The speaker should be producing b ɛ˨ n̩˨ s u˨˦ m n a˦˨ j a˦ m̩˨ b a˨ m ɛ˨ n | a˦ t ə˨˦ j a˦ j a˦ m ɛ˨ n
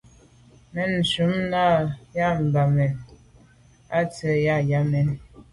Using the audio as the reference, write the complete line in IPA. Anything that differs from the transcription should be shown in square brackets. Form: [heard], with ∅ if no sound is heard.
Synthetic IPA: [m] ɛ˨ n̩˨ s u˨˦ m n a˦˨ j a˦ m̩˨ b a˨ m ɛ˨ n | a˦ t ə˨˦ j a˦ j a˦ m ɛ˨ n